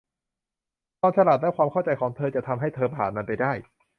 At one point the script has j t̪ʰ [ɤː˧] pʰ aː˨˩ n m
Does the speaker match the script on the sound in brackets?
yes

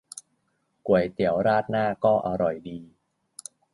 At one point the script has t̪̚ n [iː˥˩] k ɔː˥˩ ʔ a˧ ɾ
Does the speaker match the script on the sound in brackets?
no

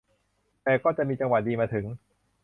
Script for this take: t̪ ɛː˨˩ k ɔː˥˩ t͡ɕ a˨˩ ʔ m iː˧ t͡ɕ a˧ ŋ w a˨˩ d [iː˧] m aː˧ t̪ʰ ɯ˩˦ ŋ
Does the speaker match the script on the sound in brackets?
yes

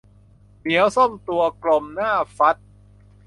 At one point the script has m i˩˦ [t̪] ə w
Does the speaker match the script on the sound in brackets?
no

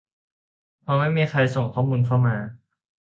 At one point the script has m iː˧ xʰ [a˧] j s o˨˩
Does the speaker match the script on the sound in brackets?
yes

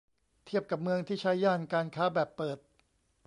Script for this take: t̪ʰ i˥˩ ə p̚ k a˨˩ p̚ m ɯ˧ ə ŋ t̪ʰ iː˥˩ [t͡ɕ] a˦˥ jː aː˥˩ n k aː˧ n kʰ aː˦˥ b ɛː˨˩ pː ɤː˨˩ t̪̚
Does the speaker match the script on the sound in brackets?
no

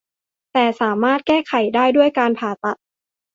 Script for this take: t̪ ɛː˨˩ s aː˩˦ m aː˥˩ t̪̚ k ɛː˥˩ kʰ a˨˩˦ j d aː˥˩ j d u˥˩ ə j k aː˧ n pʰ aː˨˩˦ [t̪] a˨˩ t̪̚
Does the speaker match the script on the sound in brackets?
yes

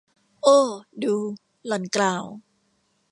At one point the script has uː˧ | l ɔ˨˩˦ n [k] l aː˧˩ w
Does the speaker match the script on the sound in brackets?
yes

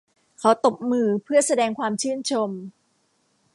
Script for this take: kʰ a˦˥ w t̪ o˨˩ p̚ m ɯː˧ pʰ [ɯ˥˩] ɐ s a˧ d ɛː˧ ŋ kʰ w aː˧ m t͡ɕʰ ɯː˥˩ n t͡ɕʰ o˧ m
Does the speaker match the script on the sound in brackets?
yes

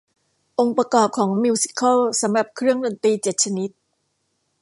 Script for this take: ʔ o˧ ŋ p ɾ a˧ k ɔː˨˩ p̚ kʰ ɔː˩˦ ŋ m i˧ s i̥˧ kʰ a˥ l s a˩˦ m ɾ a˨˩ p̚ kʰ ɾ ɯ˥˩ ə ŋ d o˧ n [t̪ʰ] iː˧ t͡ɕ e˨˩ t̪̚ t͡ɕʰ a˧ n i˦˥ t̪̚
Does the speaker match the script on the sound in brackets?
no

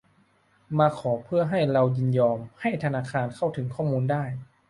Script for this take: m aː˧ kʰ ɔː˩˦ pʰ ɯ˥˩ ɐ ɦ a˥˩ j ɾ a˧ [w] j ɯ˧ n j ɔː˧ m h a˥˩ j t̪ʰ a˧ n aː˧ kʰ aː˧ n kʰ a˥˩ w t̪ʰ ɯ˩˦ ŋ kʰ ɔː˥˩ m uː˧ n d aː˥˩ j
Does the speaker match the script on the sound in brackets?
yes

